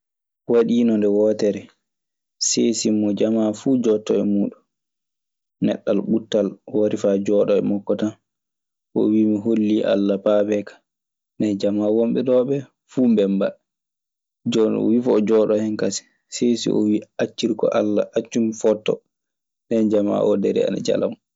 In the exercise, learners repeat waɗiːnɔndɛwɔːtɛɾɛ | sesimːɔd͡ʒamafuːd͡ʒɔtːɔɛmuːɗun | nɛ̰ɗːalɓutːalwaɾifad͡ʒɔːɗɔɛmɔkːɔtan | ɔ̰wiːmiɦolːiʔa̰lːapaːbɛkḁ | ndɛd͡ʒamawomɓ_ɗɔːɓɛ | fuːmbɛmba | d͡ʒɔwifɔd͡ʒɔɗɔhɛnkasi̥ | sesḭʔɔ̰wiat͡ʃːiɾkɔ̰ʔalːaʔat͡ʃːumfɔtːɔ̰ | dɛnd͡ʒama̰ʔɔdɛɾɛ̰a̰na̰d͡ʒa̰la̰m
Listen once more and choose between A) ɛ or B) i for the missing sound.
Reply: A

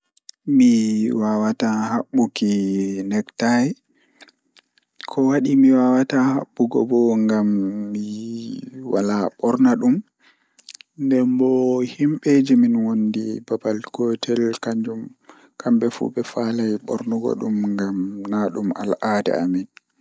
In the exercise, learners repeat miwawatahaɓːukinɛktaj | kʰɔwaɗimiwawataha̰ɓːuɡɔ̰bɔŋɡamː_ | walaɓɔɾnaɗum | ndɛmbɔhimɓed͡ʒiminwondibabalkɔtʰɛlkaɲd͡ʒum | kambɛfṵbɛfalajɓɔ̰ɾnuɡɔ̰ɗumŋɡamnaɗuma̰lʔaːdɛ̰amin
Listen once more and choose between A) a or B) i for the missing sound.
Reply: B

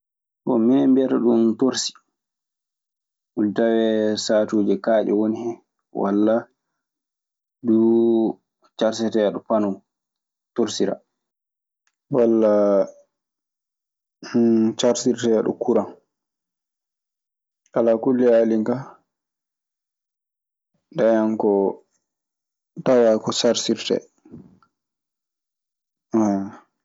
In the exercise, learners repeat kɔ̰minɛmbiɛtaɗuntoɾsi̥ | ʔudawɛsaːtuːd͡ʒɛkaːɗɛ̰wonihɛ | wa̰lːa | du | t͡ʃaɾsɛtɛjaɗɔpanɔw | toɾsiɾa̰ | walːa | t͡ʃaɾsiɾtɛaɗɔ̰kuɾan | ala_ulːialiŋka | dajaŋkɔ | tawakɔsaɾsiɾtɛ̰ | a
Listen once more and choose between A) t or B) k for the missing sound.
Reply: B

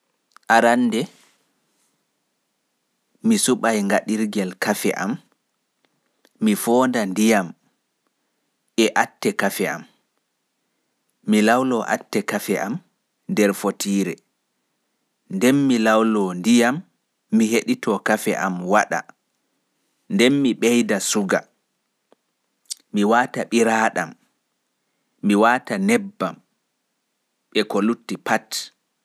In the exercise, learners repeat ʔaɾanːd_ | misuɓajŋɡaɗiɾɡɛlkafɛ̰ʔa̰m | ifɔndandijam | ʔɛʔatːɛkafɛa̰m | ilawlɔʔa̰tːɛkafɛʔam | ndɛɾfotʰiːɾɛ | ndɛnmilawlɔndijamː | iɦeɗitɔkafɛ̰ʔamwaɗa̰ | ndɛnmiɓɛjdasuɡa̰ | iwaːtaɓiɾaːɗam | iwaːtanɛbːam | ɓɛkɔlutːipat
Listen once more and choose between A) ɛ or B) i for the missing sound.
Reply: A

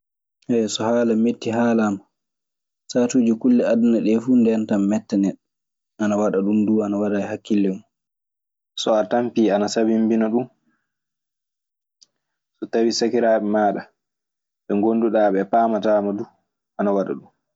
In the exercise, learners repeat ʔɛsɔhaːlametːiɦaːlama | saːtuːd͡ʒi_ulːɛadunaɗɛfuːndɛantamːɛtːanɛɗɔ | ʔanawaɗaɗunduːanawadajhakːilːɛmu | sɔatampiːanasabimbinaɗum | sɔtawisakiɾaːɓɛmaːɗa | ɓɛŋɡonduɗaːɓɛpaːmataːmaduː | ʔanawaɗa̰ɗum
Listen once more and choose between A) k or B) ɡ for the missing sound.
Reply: A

